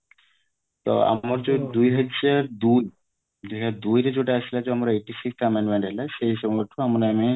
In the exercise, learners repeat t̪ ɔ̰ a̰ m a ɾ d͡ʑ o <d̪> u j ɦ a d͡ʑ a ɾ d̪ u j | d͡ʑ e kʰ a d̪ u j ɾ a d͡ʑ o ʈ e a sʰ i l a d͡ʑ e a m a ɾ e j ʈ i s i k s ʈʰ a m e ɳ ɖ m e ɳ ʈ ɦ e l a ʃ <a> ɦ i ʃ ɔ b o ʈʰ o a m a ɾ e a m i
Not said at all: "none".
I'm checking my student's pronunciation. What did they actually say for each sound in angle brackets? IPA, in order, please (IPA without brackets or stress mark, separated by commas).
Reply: d̪, e